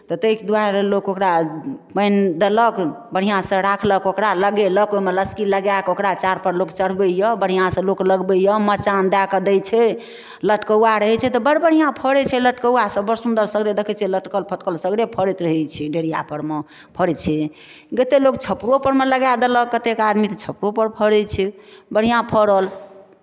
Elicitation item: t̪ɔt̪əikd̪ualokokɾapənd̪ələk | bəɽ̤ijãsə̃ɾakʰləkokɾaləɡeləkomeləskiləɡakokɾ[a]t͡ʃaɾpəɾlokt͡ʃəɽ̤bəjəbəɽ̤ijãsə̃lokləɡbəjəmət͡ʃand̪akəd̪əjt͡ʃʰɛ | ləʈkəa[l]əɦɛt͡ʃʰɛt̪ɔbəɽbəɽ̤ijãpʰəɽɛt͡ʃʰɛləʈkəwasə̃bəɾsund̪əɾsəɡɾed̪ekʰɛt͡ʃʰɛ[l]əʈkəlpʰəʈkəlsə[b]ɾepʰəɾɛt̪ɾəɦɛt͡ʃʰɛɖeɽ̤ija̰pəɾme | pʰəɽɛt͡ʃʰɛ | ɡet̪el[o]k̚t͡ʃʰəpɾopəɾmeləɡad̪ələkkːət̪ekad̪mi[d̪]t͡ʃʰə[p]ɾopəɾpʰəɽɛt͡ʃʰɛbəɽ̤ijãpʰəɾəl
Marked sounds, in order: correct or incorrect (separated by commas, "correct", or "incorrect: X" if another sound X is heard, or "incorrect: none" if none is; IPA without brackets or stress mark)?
correct, incorrect: ɾ, correct, incorrect: ɡ, correct, incorrect: t̪, correct